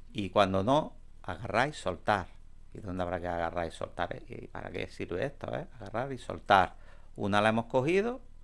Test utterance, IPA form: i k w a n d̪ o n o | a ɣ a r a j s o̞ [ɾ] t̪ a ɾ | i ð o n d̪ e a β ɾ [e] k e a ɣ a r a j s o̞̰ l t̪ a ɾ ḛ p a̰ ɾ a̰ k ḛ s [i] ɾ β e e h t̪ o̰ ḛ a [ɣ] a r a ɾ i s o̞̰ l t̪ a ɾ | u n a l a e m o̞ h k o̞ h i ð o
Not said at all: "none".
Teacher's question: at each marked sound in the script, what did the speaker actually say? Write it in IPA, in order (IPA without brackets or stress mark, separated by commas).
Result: l, a, i, ɣ